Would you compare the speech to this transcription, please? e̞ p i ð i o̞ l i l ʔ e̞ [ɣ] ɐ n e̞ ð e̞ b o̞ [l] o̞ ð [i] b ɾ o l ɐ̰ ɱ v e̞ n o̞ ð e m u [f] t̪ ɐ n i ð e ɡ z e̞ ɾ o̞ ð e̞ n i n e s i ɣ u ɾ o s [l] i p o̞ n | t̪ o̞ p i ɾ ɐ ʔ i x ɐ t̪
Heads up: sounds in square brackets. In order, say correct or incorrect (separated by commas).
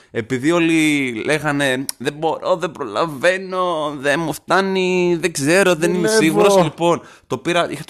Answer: correct, incorrect, incorrect, correct, correct